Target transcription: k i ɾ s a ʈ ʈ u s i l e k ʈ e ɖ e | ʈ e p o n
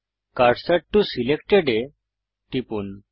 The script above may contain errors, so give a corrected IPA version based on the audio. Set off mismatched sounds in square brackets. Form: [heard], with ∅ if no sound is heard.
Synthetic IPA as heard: k [a] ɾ s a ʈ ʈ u s i l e k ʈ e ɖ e | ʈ [i] p [u] n

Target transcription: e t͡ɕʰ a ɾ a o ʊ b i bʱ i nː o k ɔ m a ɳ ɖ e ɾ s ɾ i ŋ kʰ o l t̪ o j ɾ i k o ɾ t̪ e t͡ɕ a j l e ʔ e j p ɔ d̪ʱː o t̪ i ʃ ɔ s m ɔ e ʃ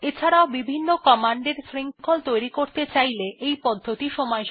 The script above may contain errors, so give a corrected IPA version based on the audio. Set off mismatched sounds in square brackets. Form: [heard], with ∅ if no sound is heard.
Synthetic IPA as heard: e t͡ɕʰ a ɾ a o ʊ b i bʱ i nː o k ɔ m a ɳ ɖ e ɾ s ɾ i ŋ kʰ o l t̪ o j ɾ i k o ɾ t̪ e t͡ɕ a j l e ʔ e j p ɔ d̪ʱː o t̪ i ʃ ɔ [∅] m ɔ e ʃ

